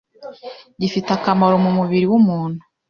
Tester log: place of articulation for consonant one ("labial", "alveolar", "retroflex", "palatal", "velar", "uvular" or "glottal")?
palatal